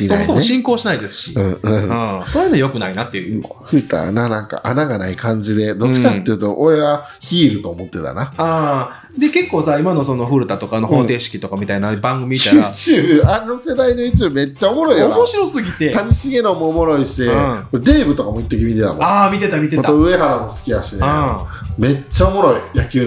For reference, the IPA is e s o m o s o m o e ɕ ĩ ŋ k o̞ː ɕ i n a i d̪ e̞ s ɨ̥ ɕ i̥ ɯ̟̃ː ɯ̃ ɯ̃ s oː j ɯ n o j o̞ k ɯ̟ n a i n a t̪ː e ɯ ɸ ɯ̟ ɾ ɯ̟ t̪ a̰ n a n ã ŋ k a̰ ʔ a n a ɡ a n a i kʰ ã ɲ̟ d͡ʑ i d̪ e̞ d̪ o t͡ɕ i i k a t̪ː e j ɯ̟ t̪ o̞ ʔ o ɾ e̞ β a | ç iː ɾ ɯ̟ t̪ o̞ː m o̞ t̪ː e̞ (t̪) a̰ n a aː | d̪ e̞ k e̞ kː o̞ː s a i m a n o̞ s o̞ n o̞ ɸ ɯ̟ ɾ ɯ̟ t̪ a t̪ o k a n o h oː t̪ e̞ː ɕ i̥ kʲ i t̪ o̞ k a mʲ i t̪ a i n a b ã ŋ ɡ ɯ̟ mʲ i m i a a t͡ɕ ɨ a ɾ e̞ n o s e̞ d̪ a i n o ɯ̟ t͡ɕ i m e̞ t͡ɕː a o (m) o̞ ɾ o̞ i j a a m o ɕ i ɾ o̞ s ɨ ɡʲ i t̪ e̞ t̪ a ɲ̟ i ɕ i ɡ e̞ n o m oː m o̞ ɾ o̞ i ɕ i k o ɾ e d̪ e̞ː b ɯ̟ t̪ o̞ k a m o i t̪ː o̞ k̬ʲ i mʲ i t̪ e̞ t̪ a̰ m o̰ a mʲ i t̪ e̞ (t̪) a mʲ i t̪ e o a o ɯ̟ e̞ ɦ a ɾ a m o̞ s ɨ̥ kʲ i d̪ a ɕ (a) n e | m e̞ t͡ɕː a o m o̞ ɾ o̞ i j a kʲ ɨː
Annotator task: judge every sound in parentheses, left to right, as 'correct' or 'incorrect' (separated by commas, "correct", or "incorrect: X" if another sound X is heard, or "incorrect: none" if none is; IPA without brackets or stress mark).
correct, correct, correct, incorrect: i